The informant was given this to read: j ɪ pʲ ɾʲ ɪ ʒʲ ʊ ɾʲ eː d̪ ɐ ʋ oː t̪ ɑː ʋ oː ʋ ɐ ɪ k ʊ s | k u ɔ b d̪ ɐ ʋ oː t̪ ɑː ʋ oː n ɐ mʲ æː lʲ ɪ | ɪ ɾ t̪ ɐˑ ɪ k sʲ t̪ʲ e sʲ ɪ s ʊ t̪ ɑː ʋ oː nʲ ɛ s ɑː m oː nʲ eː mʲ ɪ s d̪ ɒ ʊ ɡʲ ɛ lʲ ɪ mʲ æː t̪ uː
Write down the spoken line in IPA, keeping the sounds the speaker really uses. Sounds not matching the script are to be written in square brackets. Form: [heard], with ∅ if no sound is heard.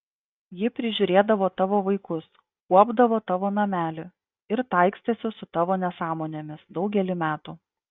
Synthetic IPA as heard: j ɪ pʲ ɾʲ ɪ ʒʲ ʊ ɾʲ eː d̪ ɐ ʋ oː t̪ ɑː ʋ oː ʋ ɐ ɪ k ʊ s | k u ɔ b d̪ ɐ ʋ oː t̪ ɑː ʋ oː n ɐ mʲ æː lʲ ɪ | ɪ ɾ t̪ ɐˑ ɪ k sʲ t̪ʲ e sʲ ɪ s ʊ t̪ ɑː ʋ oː nʲ ɛ s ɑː m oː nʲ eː mʲ ɪ s d̪ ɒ ʊ ɡʲ ɛ lʲ ɪ mʲ æː t̪ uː